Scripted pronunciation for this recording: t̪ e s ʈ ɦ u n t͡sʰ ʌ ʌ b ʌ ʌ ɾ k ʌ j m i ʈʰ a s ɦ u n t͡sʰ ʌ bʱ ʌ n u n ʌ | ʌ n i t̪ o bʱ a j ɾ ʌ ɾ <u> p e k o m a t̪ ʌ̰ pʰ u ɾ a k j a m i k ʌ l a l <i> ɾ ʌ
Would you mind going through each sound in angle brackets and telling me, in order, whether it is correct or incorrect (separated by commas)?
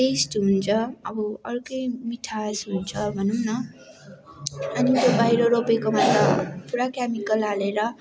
incorrect, incorrect